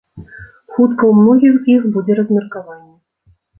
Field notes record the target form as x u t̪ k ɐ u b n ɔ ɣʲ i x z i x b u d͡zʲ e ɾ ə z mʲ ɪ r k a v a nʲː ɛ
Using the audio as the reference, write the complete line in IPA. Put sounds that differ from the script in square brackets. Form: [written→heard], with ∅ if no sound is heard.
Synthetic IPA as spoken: x u t̪ k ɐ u [b→m] n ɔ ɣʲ i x z i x b u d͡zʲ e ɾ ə z mʲ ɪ r k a v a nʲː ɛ